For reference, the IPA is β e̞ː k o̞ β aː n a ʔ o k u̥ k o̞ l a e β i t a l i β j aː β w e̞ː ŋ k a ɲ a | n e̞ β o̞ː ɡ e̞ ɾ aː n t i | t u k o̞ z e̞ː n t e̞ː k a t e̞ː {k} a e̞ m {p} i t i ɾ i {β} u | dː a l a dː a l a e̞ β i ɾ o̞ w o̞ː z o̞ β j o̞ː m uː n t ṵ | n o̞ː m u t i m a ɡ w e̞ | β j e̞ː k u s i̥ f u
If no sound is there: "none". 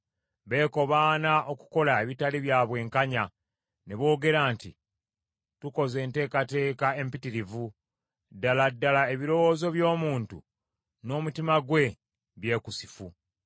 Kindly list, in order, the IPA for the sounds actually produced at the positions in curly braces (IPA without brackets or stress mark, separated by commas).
k, p, v